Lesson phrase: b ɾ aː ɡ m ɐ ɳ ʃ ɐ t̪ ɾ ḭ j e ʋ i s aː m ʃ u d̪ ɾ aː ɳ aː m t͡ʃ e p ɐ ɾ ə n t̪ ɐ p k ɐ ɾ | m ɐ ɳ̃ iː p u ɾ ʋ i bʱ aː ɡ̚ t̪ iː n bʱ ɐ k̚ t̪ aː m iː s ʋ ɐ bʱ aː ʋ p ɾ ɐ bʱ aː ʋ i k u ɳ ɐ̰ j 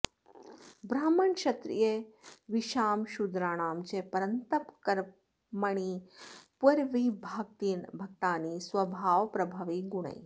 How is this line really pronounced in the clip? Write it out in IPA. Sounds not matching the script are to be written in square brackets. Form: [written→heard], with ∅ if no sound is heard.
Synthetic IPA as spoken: b ɾ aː [ɡ→∅] m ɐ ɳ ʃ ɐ t̪ ɾ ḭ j e ʋ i [s→ʃ] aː m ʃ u d̪ ɾ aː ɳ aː m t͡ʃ e p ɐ ɾ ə n t̪ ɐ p k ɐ ɾ | m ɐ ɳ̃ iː p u ɾ ʋ i bʱ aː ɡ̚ t̪ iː n bʱ ɐ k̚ t̪ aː [m→n] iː s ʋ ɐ bʱ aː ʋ p ɾ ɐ bʱ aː ʋ i [k→ɡ] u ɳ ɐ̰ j